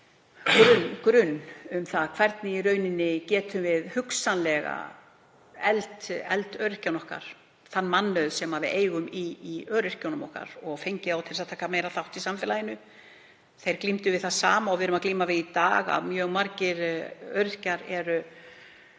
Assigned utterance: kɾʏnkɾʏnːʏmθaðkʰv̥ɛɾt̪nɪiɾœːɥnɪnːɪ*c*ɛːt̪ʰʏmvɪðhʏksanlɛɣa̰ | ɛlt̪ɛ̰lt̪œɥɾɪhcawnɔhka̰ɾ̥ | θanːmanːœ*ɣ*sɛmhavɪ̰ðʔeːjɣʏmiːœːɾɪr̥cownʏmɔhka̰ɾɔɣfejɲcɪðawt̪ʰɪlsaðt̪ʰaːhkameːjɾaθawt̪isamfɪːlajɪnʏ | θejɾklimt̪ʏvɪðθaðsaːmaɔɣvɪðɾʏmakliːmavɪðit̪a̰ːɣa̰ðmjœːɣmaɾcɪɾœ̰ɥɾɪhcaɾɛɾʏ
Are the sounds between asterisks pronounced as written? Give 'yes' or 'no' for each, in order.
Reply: yes, no

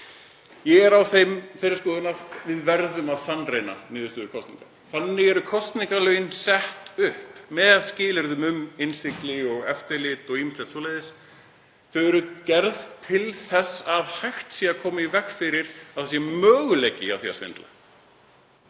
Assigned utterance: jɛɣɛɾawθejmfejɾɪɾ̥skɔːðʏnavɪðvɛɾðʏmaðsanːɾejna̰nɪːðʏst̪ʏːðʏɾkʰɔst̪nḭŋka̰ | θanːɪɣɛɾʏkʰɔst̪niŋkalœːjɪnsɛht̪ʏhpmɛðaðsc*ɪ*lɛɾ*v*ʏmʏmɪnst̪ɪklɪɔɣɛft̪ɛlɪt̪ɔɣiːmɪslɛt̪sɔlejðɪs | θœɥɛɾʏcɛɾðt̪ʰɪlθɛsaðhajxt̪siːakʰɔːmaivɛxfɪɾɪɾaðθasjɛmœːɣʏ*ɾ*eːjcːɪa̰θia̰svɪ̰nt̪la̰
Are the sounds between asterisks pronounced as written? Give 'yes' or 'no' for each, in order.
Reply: no, no, no

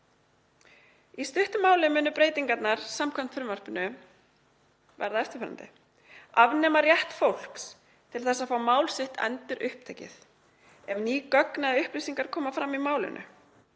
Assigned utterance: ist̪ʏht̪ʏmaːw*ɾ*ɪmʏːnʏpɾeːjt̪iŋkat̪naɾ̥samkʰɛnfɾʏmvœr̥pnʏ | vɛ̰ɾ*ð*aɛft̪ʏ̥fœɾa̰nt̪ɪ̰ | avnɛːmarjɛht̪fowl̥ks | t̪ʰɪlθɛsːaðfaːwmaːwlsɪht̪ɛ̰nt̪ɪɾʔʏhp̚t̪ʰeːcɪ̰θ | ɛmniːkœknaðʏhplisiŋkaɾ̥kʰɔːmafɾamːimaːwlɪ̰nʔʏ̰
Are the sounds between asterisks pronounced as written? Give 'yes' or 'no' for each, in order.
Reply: no, yes

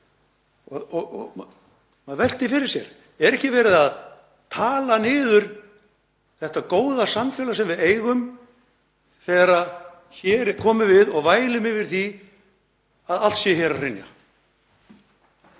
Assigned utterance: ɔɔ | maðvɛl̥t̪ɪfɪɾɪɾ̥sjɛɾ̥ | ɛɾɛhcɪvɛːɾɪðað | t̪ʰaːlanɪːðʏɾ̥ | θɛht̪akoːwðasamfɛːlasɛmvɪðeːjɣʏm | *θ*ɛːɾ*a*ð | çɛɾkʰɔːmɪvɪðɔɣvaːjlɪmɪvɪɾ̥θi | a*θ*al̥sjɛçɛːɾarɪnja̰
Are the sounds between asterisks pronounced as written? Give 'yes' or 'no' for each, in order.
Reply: yes, yes, no

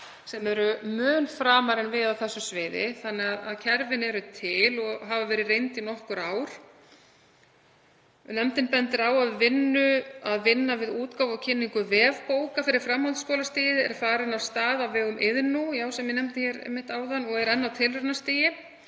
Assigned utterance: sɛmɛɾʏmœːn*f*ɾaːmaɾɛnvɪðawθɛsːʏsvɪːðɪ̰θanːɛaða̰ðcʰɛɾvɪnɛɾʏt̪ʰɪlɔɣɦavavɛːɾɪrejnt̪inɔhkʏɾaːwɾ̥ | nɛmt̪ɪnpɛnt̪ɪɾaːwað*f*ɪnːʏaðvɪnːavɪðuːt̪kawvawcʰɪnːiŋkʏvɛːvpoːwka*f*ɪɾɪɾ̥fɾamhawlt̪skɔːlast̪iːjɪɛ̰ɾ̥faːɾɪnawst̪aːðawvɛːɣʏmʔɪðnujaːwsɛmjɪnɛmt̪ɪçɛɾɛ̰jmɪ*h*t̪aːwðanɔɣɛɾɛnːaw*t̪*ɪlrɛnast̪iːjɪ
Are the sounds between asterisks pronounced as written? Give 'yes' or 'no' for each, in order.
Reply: yes, no, yes, yes, no

